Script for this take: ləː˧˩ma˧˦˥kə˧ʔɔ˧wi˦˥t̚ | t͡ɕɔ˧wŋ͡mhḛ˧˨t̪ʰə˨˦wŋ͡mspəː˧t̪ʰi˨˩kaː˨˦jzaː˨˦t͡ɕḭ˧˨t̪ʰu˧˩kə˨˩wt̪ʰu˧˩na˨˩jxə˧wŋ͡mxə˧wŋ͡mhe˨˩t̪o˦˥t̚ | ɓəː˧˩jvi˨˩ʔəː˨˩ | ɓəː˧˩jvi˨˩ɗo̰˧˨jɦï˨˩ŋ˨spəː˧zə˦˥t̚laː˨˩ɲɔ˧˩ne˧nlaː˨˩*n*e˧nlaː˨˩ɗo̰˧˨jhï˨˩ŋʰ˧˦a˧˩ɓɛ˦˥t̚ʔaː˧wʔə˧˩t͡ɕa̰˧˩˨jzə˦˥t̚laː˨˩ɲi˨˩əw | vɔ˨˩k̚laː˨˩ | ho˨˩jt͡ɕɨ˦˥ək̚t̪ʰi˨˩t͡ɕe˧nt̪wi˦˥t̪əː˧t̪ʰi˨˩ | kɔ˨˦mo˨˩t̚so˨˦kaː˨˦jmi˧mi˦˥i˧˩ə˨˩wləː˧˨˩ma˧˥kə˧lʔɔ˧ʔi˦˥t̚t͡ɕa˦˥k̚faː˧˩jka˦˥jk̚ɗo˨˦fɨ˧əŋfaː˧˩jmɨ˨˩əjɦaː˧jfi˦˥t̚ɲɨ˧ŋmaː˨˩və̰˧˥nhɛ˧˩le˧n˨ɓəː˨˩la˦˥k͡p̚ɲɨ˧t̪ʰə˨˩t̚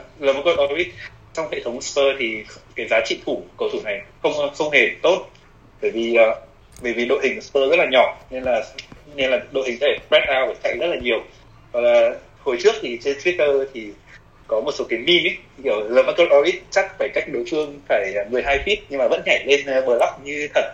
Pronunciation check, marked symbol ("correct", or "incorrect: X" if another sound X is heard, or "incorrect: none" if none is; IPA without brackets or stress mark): correct